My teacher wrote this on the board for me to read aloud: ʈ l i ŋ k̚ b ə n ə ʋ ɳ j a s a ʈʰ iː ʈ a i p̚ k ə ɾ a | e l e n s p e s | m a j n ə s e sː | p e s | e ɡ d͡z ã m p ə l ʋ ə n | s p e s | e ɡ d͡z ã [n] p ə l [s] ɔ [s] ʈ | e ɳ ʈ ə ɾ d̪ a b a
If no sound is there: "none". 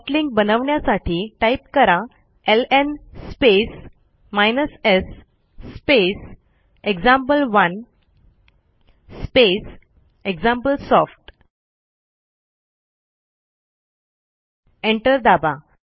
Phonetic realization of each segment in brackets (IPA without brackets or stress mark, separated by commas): m, s, f